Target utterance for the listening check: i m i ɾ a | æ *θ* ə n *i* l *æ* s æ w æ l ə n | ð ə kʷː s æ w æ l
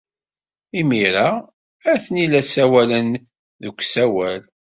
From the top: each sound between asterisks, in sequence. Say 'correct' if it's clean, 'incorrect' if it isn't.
correct, correct, correct

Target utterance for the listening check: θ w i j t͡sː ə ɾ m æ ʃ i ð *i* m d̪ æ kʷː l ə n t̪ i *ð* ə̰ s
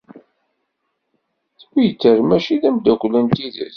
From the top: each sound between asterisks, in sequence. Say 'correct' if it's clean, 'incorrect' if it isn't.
incorrect: æ, correct

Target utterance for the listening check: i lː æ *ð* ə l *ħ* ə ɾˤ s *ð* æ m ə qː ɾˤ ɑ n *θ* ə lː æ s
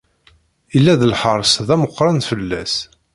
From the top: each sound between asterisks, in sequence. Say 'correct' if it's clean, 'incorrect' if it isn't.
correct, correct, correct, incorrect: f

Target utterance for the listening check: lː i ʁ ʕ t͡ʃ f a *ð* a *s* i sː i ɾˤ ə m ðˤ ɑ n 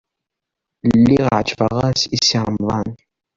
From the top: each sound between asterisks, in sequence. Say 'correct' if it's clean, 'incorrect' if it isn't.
incorrect: ʁ, correct

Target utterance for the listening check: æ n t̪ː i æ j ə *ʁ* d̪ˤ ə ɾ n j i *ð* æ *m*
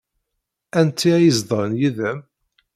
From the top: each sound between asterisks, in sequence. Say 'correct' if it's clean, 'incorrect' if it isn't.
incorrect: z, correct, correct

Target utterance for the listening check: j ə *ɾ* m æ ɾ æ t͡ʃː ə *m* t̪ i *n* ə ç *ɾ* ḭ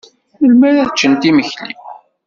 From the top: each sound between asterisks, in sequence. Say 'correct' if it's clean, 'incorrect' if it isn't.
incorrect: l, incorrect: n, incorrect: m, incorrect: l

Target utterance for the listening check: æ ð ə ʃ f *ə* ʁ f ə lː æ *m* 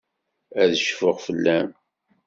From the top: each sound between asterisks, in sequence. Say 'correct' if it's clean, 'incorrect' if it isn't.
correct, correct

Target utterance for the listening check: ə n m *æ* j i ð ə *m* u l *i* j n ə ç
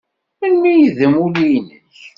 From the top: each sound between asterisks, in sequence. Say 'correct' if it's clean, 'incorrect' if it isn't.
incorrect: i, correct, correct

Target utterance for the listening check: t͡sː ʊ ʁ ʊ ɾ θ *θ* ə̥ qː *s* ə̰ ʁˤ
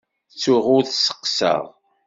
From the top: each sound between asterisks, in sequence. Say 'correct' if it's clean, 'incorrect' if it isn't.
incorrect: s, correct

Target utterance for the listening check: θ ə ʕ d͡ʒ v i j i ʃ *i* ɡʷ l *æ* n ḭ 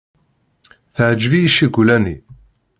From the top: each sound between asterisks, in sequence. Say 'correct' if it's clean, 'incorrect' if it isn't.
correct, correct

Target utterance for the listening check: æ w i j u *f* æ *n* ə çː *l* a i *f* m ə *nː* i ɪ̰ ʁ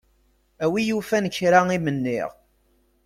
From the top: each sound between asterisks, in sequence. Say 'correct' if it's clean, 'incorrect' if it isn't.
correct, correct, incorrect: ɾ, incorrect: none, correct

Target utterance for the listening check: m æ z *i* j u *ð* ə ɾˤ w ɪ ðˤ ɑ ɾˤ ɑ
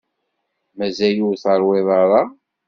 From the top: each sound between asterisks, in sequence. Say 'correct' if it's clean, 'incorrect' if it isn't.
incorrect: æ, incorrect: θ

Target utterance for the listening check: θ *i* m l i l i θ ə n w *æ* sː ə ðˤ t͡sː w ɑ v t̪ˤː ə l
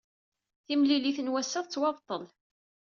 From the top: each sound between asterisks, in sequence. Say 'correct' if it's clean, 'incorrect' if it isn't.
correct, correct

